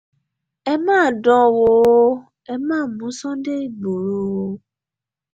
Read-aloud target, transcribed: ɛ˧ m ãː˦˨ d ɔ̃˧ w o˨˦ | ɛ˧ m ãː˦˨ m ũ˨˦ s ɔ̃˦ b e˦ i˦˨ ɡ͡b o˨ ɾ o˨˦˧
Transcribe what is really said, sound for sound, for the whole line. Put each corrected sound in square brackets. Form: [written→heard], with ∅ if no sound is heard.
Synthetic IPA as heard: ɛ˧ m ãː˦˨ d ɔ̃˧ w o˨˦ | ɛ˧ m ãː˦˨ m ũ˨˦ s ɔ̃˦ [b→d] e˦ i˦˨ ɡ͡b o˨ ɾ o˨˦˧